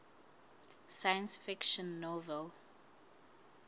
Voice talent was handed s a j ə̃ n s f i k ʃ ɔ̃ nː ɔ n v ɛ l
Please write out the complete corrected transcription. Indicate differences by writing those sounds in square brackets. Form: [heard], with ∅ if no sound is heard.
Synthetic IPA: s a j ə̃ n s f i k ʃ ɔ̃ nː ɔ [∅] v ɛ l